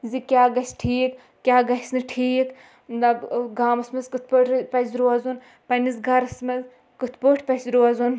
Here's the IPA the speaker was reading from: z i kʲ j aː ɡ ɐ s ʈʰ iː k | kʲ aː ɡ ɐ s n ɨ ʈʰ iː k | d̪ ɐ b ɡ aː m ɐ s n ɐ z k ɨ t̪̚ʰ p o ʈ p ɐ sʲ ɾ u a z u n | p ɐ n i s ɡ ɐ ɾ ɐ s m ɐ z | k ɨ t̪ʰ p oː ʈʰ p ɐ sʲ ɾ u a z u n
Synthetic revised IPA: z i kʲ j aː ɡ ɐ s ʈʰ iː k | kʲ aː ɡ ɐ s n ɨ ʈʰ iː k | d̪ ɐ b ɡ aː m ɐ s m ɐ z k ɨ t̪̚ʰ p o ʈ p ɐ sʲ ɾ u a z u n | p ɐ n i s ɡ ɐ ɾ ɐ s m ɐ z | k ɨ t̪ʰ p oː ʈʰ p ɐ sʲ ɾ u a z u n